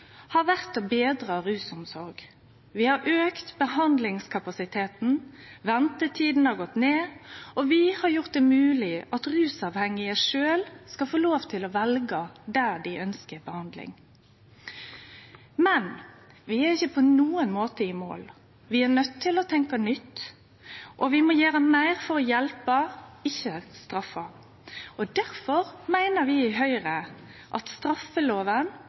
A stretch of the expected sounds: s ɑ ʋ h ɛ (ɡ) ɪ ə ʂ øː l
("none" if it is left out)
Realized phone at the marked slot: ŋ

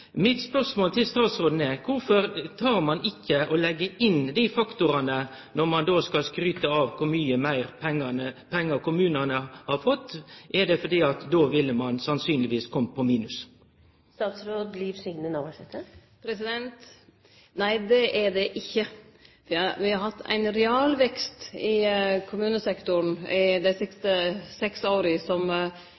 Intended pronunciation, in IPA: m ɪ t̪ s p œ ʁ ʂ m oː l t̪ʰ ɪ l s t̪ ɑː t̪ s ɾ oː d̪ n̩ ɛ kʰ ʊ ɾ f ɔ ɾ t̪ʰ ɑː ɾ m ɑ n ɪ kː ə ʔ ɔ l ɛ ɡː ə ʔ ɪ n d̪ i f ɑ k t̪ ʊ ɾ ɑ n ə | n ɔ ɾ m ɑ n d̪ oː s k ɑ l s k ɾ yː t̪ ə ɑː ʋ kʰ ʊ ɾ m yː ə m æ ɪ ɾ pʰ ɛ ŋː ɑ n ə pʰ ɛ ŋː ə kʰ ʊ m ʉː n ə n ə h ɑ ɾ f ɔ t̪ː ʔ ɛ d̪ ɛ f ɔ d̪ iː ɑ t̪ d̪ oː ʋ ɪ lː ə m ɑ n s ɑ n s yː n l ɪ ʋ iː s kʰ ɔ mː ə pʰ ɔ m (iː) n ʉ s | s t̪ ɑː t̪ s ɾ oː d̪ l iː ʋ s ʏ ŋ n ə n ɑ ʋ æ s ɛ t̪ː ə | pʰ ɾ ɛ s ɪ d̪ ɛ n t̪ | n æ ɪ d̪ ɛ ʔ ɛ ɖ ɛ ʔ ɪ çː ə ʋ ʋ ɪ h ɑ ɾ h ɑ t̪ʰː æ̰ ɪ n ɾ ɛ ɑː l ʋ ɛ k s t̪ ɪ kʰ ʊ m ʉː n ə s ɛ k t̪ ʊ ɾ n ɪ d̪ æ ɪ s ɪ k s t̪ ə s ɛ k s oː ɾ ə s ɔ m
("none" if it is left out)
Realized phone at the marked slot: iː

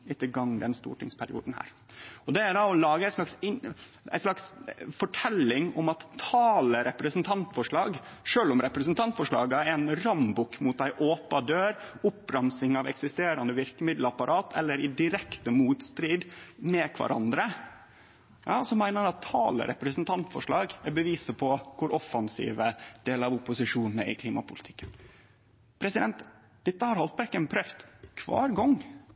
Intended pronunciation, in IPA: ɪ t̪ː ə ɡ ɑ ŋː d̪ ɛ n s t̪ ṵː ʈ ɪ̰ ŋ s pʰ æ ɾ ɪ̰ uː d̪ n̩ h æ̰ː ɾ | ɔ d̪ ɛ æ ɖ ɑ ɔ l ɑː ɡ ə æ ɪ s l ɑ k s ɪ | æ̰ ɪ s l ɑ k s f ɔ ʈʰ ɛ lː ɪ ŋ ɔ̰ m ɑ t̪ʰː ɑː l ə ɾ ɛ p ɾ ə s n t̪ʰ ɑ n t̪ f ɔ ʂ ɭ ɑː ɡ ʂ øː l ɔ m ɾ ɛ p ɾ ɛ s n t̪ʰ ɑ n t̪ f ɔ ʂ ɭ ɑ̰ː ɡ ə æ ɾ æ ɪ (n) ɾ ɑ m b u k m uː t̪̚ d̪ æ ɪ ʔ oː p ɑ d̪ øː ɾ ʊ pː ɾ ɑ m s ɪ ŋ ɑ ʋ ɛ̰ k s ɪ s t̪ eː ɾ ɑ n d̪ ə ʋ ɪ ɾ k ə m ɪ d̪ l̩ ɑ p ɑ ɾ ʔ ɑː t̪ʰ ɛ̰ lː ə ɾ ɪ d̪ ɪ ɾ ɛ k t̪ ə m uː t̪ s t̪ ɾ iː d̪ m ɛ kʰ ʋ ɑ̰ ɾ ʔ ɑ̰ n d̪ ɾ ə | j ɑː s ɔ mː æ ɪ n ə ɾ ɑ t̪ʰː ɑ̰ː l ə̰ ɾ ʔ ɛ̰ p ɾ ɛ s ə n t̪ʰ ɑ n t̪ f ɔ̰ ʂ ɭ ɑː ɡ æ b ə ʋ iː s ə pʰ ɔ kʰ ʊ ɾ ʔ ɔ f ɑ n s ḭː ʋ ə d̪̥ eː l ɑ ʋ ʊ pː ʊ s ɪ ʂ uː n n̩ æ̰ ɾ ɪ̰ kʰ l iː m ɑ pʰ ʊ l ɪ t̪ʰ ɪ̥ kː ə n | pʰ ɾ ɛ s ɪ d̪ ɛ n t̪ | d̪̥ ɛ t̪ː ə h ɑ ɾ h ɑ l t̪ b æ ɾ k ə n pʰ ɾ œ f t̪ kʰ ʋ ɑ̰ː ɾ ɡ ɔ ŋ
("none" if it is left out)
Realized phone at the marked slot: n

